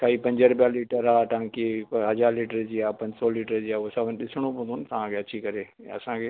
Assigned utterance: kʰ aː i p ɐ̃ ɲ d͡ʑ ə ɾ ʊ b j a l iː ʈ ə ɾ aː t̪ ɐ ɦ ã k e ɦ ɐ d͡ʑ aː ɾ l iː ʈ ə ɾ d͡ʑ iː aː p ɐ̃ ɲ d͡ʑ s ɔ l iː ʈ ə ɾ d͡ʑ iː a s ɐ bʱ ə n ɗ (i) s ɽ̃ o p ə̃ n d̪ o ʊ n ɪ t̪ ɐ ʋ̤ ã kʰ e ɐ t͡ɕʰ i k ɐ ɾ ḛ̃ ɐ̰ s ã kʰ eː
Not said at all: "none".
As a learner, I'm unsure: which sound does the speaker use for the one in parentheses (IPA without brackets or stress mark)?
ɪ